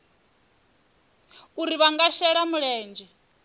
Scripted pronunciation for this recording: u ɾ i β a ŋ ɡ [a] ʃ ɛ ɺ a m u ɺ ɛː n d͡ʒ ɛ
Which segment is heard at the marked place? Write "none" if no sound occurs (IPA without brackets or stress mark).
a